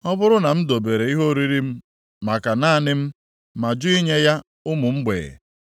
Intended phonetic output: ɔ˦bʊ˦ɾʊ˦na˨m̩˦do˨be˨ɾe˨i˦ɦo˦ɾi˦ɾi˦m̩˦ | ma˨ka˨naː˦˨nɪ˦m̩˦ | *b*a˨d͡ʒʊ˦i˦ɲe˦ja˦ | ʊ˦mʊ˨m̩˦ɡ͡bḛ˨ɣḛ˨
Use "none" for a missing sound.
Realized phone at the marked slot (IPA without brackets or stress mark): m